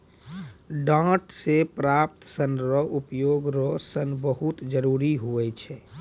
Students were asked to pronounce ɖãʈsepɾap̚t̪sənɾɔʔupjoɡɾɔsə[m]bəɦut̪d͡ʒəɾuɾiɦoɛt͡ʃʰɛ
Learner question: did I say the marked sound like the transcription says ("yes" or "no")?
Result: no